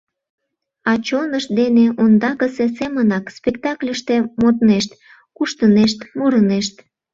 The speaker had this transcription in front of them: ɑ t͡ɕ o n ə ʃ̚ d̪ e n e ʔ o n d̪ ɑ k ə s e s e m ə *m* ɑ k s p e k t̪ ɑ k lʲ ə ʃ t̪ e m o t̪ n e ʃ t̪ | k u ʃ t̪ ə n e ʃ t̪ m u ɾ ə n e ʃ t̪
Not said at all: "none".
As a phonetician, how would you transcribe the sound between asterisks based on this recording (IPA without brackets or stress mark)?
n